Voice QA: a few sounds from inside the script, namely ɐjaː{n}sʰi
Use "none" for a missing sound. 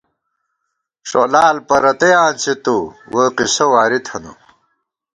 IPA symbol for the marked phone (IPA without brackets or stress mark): n